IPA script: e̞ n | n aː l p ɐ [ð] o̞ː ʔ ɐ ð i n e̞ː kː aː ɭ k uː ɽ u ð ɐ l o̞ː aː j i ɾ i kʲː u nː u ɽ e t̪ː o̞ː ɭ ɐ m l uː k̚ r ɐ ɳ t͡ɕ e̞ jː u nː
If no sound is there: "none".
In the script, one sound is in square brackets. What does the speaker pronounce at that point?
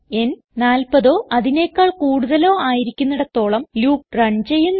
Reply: ð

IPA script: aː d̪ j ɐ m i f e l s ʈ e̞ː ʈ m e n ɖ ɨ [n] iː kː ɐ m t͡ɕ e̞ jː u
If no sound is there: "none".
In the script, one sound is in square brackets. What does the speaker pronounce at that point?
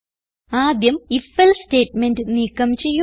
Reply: n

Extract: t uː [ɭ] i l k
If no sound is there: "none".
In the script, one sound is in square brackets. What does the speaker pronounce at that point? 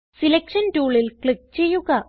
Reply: ɭ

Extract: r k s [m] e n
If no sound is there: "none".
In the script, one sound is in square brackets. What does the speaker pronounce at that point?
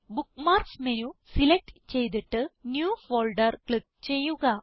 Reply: m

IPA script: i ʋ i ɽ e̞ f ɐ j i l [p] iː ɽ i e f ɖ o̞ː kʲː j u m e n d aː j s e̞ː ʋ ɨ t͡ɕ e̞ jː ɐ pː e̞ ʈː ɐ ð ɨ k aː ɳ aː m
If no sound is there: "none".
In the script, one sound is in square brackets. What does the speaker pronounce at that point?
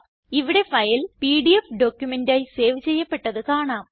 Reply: p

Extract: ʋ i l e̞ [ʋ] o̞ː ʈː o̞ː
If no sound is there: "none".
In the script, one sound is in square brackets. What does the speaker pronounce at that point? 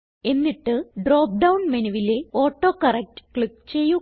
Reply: none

